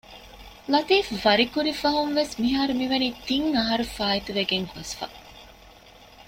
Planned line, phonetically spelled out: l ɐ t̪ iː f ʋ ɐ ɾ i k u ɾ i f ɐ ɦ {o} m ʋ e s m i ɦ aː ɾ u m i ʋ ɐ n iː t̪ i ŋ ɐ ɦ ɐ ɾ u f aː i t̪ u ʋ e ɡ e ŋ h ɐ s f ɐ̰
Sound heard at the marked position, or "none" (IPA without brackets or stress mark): u